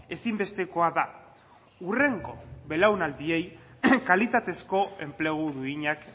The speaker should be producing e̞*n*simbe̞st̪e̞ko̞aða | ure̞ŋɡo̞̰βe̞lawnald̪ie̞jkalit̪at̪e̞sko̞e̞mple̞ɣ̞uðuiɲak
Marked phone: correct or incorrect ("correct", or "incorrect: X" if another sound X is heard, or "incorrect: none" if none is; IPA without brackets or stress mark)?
incorrect: none